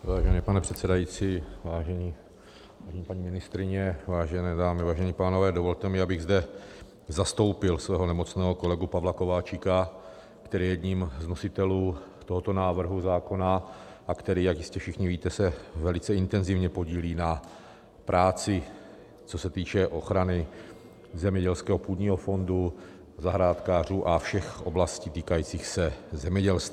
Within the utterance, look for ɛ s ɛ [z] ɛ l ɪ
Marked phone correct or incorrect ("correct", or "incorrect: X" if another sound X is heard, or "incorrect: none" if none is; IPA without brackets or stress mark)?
incorrect: v